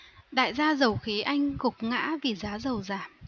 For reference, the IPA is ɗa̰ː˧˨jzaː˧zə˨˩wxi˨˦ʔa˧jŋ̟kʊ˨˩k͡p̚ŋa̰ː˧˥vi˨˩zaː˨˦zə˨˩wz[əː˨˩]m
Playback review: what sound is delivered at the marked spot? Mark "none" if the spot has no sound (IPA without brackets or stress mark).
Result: aː˨˩